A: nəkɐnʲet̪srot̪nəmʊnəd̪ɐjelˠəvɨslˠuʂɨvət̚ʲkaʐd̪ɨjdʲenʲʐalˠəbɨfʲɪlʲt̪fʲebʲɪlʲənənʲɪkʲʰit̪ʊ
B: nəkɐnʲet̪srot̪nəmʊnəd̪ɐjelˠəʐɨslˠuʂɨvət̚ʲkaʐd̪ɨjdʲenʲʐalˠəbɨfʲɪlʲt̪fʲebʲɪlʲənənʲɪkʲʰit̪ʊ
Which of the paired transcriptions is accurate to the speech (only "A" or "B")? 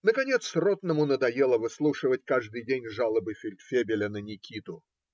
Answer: A